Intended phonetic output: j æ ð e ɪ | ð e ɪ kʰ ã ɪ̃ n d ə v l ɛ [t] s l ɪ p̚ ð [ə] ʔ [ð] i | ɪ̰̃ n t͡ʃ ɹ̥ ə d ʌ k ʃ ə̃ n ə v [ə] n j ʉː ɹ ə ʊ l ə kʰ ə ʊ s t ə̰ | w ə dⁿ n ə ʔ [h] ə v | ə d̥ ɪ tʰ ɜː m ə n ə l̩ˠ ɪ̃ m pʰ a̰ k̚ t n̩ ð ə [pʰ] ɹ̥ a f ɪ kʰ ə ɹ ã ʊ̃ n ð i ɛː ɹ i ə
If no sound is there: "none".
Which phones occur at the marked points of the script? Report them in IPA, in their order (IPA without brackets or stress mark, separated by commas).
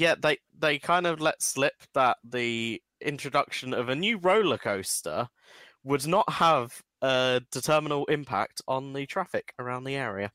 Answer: t, ə, ð, ə, h, tʰ